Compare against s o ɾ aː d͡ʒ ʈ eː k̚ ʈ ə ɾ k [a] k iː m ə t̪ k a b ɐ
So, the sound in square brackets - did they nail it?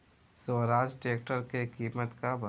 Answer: no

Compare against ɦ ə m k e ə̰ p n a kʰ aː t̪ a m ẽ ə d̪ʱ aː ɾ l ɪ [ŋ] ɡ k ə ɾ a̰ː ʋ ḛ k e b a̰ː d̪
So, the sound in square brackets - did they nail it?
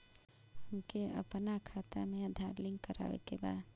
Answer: yes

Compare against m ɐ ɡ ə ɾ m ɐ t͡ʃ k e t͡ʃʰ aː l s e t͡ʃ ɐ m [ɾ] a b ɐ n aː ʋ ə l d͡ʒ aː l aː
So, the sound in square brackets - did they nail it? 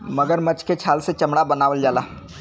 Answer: no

